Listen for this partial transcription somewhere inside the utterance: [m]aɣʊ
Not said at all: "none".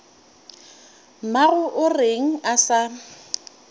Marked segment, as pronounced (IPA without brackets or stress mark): m